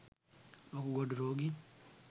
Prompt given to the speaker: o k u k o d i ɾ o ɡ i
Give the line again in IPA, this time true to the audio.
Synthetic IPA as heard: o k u ɡ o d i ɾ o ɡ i